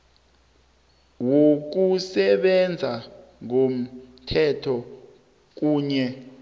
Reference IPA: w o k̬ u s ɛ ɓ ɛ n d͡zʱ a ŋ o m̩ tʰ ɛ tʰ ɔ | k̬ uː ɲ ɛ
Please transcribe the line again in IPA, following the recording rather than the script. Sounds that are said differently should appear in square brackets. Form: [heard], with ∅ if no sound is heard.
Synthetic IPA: w o k̬ u s ɛ ɓ ɛ n d͡zʱ a ŋ o m̩ tʰ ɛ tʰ ɔ | k̬ uː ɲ ɛ